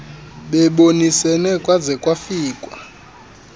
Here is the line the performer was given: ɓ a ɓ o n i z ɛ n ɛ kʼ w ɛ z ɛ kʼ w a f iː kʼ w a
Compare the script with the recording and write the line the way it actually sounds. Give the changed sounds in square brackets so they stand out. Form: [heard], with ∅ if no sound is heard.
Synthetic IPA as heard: ɓ [ɛ] ɓ o n i [s] ɛ n ɛ kʼ w [a] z ɛ kʼ w a f iː kʼ w a